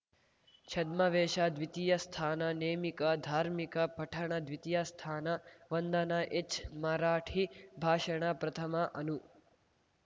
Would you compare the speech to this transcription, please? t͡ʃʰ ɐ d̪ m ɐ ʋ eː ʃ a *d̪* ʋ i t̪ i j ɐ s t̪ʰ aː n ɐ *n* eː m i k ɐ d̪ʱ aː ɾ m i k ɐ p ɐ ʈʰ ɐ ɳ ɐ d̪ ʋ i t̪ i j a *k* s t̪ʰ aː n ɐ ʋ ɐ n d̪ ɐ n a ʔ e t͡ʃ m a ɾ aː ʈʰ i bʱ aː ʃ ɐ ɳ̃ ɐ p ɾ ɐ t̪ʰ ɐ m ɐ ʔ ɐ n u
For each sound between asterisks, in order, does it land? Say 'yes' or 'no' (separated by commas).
yes, yes, no